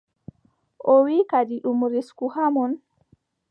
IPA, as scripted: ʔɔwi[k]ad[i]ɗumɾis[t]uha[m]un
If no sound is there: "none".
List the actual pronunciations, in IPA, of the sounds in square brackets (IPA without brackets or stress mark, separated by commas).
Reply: k, i, k, m